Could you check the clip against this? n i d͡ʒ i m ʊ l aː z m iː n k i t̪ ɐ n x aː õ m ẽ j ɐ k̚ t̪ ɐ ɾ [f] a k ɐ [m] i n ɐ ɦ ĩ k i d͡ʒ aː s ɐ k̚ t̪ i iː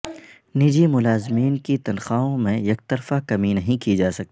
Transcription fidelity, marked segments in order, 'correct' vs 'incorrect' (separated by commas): correct, correct